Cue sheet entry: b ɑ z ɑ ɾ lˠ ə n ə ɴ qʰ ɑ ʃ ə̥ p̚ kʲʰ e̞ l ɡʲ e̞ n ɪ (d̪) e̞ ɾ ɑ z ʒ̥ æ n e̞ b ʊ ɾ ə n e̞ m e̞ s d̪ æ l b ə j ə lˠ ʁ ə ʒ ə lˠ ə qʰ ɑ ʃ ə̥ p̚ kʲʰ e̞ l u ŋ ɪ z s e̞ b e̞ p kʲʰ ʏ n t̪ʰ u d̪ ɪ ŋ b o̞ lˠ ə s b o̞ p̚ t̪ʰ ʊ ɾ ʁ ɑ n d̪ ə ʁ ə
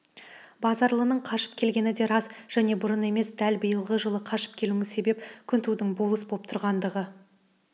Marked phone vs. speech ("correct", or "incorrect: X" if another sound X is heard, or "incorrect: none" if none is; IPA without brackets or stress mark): correct